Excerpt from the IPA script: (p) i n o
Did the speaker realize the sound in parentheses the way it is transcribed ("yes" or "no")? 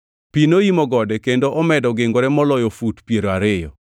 yes